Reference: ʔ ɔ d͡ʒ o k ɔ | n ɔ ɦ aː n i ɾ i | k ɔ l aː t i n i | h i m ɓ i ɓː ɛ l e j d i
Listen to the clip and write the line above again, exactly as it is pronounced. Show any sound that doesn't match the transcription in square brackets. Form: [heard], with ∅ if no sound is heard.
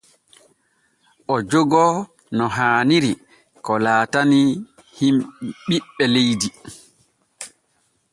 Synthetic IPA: ʔ ɔ d͡ʒ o [ɡ] ɔ | n ɔ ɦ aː n i ɾ i | k ɔ l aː t [a] n i | h i m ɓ i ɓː ɛ l e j d i